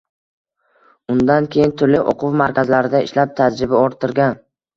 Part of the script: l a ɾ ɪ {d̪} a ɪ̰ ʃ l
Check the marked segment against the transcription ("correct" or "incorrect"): correct